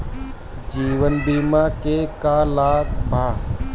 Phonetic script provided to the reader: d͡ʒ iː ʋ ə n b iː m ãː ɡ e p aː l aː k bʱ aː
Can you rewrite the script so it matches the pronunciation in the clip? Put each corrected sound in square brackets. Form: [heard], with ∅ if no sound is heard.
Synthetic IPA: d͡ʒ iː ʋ ə n b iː m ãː [k] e [k] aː l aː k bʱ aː